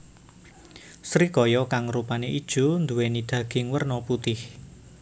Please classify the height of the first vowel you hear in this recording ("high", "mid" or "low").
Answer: high